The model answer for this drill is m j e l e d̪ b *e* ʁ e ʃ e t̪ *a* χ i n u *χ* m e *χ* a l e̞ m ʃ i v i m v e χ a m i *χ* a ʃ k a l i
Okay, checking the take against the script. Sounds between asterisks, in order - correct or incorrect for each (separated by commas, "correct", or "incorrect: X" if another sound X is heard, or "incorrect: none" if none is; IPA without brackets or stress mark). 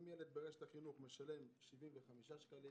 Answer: correct, correct, correct, incorrect: ʃ, incorrect: ʃ